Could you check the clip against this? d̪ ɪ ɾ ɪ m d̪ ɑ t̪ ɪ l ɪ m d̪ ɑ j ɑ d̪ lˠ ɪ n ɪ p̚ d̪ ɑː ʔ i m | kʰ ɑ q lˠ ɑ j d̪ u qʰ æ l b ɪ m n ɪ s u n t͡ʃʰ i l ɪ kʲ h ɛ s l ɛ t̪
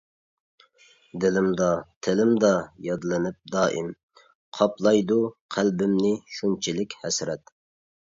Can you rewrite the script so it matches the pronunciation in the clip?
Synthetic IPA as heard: d̪ ɪ l ɪ m d̪ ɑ t̪ʰ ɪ l ɪ m d̪ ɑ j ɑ d̪ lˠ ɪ n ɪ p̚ d̪ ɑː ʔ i m | qʰ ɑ p lˠ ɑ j d̪ u qʰ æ l b ɪ m n ɪ ʃ u n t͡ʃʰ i l ɪ kʲ h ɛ s ɾ ɛ t̪